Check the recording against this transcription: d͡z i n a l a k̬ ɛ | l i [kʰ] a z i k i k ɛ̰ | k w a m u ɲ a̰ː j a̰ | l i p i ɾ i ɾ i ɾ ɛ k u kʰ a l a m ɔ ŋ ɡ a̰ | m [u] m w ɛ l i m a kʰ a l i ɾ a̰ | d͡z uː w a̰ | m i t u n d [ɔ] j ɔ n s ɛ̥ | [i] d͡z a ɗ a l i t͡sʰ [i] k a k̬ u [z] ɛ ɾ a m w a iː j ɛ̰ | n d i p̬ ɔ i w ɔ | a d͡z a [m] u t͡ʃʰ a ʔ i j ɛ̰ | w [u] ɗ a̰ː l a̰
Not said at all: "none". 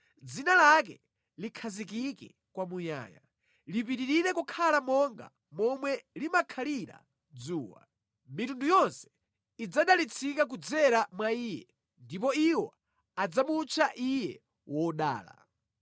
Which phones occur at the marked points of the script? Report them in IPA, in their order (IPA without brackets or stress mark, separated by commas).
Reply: kʰ, ɔ, u, i, i, d͡z, m, ɔ